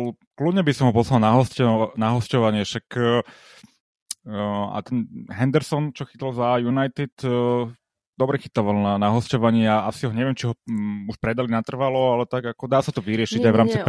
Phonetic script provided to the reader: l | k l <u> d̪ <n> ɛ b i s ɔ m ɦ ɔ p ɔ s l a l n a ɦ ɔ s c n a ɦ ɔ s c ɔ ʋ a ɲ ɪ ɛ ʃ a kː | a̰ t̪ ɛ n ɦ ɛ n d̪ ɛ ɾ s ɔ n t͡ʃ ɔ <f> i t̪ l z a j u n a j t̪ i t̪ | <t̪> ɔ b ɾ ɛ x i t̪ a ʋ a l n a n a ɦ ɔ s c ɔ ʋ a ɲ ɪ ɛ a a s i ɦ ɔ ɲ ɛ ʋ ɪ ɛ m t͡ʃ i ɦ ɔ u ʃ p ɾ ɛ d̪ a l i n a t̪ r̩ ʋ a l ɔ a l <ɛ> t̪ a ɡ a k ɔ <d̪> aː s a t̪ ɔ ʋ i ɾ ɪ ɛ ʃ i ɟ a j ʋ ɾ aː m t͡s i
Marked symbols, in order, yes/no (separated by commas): yes, no, no, no, yes, yes